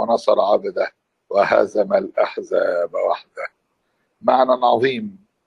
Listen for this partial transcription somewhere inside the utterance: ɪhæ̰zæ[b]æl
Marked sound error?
yes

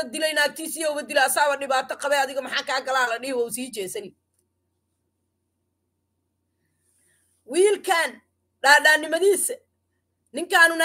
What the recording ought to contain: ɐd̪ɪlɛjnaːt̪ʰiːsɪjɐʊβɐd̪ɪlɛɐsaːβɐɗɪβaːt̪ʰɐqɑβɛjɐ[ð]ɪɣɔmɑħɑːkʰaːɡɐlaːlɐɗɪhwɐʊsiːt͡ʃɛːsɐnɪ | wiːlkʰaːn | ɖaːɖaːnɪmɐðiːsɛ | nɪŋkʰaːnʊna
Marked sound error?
no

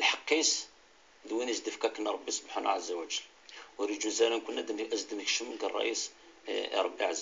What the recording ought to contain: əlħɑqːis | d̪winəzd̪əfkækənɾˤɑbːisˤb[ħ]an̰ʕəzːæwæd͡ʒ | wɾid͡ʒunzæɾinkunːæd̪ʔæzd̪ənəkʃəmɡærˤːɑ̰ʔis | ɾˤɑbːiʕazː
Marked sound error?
no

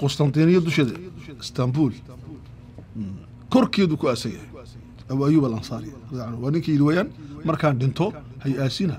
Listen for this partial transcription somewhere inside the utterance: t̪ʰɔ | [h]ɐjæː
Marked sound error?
no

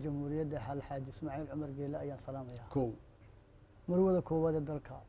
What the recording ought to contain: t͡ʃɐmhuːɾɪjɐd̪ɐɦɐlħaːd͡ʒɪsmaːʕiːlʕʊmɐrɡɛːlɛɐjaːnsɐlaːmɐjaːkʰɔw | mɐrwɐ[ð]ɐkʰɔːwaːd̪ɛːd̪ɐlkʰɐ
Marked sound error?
no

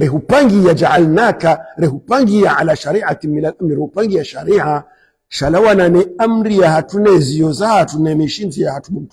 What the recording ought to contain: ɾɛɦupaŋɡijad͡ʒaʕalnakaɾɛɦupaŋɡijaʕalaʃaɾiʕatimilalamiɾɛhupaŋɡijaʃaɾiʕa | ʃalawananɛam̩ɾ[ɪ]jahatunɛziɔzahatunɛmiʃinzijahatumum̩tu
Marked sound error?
yes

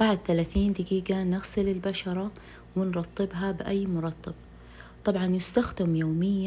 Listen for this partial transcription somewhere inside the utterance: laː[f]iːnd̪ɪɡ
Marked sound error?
yes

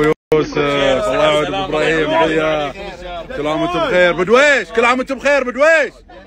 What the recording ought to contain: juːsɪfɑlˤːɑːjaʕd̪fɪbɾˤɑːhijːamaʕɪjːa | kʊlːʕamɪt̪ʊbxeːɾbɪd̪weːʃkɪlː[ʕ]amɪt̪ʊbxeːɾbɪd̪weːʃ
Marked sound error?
no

